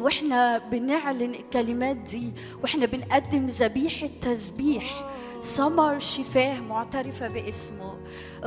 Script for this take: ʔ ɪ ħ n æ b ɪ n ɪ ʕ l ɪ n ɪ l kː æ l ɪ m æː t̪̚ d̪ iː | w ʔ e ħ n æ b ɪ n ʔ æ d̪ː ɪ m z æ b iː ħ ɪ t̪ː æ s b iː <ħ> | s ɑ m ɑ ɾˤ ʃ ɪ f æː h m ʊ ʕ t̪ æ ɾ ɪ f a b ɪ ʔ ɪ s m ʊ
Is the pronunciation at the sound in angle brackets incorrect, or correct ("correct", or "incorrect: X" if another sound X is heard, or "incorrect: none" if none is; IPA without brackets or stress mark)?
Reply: correct